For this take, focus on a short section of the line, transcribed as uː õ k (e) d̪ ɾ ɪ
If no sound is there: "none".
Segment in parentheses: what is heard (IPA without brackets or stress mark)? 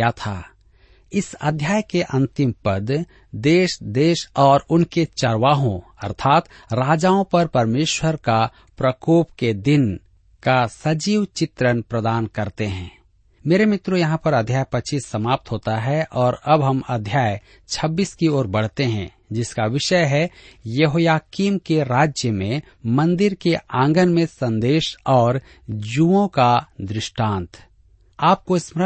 a